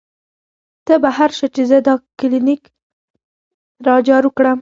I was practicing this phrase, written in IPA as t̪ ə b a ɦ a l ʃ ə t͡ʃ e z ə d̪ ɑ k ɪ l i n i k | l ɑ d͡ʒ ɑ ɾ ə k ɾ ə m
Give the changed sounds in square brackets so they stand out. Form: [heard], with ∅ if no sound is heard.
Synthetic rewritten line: t̪ ə b a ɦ a [ɾ] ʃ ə t͡ʃ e z ə d̪ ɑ k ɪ l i n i k | [ɾ] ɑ d͡ʒ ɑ ɾ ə k [ɽ] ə m